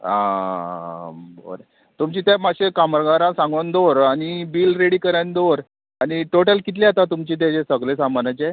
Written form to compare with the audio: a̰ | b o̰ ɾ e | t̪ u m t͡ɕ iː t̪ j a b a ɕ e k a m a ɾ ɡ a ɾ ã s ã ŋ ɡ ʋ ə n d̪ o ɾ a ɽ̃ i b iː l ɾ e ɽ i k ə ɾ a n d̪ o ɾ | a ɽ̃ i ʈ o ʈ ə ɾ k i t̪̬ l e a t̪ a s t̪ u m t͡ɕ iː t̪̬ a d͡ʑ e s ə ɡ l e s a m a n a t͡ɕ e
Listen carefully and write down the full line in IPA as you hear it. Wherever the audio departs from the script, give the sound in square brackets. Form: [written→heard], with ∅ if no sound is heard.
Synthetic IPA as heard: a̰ | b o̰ ɾ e | t̪ u m t͡ɕ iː t̪ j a [b→m] a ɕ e k a m [a→ə] ɾ ɡ a ɾ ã s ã ŋ ɡ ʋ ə n d̪ o ɾ a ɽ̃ i b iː l ɾ e ɽ i k ə ɾ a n d̪ o ɾ | a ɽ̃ i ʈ o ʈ ə [ɾ→l] k i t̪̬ l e a t̪ a [s→∅] t̪ u m t͡ɕ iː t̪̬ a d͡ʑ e s ə ɡ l e s a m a n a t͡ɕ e